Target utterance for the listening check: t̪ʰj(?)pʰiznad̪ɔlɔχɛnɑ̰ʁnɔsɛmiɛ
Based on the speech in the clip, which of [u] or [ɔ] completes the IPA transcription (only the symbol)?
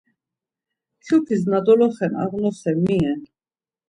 u